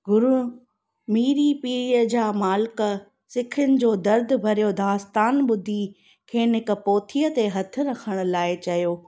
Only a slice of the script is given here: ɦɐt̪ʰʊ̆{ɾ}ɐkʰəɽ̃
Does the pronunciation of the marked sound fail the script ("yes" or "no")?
no